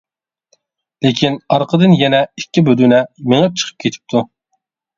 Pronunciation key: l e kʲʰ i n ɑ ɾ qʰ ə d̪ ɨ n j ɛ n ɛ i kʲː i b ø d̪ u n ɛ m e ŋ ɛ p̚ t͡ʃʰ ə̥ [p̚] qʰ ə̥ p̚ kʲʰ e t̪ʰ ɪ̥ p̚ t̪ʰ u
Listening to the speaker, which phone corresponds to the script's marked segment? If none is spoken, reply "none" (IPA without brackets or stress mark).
none